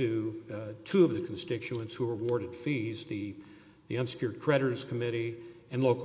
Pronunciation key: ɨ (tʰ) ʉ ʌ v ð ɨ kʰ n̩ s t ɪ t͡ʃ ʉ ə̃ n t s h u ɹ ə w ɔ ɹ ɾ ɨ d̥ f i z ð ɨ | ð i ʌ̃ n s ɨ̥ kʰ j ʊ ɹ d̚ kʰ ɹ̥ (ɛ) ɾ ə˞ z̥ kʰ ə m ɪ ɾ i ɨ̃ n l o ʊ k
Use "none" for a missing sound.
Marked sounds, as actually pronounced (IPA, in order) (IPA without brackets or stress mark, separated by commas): tʰ, ɛ